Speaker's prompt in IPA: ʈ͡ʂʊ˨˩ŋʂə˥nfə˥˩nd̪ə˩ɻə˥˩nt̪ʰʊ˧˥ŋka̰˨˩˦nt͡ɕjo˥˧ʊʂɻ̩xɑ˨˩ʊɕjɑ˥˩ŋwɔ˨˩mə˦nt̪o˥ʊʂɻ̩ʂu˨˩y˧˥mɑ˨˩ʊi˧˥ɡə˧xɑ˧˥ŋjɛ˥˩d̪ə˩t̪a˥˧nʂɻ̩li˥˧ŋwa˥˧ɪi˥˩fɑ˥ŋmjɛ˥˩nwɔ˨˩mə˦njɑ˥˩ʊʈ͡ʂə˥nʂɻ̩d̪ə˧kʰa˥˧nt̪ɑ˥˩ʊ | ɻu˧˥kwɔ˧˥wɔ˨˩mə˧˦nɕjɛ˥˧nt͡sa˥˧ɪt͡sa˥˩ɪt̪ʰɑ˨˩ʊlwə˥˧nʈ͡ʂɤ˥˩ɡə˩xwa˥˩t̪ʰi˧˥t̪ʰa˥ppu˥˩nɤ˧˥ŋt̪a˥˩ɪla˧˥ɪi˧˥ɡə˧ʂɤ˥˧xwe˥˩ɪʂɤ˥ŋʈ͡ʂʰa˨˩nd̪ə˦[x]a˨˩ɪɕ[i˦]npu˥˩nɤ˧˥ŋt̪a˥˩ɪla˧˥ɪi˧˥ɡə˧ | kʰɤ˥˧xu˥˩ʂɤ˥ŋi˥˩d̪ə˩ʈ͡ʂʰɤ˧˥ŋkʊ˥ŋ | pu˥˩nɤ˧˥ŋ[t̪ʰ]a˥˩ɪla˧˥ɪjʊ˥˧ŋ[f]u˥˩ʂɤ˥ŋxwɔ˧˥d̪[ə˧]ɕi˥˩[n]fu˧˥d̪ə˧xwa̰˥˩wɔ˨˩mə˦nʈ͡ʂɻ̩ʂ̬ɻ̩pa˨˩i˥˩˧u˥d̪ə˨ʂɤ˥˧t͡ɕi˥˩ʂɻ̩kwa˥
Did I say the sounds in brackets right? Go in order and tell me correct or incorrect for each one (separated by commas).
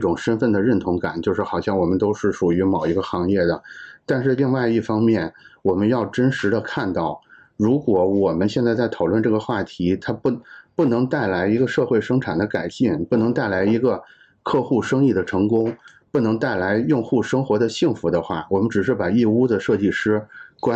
incorrect, incorrect, incorrect, incorrect, correct, incorrect